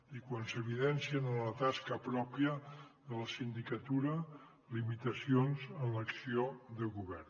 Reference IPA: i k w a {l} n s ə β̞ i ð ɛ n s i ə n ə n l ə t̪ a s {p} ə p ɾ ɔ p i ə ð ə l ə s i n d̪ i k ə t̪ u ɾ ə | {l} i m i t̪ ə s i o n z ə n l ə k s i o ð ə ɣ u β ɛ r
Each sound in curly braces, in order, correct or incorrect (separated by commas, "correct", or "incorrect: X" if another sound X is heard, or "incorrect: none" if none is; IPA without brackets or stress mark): incorrect: none, incorrect: k, correct